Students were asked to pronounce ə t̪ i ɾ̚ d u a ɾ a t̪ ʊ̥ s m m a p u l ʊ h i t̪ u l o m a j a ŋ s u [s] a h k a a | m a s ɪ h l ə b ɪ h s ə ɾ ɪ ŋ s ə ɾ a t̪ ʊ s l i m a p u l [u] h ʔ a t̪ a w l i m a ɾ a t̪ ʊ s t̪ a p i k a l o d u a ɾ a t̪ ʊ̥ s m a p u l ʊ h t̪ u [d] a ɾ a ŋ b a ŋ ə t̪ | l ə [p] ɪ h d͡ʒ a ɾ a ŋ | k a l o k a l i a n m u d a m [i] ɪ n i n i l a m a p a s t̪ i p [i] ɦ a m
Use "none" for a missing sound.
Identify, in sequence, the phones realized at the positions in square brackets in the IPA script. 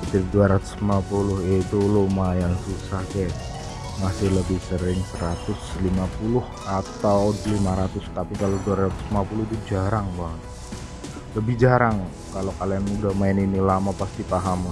s, ʊ, d͡ʒ, b, a, a

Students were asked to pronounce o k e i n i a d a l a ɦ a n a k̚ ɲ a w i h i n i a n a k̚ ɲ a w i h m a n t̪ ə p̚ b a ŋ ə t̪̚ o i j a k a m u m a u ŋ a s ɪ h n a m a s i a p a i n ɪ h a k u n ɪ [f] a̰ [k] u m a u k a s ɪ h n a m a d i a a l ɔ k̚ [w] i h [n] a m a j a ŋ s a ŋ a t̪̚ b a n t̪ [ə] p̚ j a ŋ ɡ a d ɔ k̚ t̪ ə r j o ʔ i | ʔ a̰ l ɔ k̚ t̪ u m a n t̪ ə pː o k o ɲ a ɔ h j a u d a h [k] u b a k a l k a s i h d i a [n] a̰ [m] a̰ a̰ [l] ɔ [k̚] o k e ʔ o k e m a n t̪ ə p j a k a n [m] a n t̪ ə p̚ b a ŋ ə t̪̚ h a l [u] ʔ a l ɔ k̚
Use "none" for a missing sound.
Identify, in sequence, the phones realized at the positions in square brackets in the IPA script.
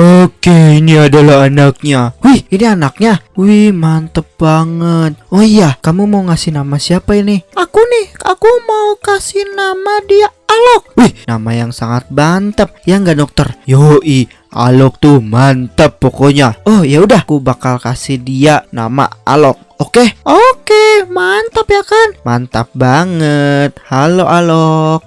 h, k, w, n, ə, k, n, m, l, k̚, m, o

